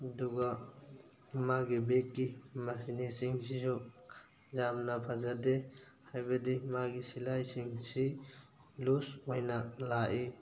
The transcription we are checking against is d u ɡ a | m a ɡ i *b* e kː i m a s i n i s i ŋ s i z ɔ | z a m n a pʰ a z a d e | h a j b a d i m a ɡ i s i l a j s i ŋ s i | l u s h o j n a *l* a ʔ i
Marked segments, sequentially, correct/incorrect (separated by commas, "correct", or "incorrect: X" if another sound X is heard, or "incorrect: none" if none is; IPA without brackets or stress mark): correct, correct